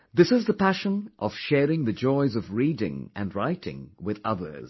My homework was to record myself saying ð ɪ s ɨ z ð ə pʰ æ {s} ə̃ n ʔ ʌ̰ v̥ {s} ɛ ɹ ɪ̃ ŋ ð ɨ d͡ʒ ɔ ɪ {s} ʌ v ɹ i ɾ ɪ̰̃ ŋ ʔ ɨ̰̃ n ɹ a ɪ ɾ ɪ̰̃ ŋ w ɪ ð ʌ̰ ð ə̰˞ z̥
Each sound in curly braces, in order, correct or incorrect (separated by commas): incorrect, incorrect, incorrect